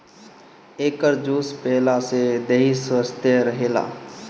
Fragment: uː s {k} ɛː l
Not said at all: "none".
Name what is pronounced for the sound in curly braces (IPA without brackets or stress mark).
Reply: p